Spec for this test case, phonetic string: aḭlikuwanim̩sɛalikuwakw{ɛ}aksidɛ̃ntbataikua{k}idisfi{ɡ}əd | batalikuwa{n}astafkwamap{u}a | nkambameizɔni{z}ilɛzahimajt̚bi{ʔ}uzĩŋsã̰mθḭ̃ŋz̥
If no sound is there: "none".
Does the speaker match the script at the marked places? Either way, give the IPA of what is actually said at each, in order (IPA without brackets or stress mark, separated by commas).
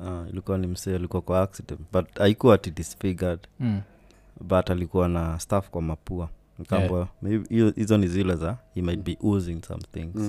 a, t, ɡ, n, u, z, ʔ